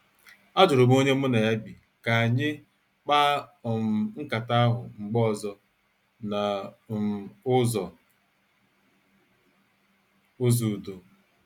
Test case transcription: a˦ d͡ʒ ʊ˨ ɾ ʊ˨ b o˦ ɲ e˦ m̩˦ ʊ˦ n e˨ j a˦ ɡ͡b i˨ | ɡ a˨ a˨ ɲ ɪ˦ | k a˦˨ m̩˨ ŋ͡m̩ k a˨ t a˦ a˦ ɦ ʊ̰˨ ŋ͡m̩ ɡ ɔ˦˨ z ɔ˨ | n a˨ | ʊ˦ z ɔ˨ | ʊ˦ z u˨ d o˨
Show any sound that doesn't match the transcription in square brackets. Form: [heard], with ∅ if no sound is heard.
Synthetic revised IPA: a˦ d͡ʒ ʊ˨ ɾ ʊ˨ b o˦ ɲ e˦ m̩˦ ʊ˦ n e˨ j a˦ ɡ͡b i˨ | [k] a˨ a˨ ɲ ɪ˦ | [k͡p] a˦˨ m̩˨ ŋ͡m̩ k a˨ t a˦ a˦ ɦ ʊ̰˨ ŋ͡m̩ [ɡ͡b] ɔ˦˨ z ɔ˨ | n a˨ | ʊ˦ z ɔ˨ | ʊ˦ z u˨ d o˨

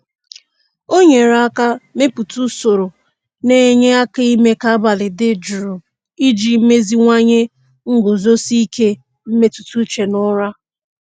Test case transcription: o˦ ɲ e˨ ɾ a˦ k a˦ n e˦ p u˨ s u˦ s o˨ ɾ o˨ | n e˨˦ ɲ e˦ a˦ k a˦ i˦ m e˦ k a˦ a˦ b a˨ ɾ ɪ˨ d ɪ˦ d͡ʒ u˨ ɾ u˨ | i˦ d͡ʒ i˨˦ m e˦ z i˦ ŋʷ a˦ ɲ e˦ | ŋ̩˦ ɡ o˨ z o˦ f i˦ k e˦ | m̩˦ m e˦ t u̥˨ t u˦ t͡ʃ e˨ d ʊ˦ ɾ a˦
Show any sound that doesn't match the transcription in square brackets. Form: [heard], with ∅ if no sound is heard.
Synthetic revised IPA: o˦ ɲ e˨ ɾ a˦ k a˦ [m] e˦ p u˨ [t] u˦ s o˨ ɾ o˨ | n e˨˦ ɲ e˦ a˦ k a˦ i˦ m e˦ k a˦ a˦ b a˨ [l] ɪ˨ d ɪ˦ d͡ʒ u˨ ɾ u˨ | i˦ d͡ʒ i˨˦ m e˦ z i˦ ŋʷ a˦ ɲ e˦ | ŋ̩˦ ɡ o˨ z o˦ [s] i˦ k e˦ | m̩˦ m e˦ t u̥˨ t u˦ t͡ʃ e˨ [n] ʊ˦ ɾ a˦

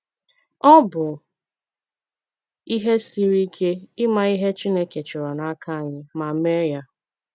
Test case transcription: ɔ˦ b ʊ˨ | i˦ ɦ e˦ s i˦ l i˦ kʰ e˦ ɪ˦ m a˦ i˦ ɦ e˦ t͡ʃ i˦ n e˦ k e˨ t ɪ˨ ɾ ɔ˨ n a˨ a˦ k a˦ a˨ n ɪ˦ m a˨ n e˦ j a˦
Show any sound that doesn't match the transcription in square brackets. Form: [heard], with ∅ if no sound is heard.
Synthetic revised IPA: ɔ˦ b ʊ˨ | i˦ ɦ e˦ s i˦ [ɾ] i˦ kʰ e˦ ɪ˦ m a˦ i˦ ɦ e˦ t͡ʃ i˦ n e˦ k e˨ [t͡ʃ] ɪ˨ ɾ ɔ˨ n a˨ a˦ k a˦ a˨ [ɲ] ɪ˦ m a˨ [m] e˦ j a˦

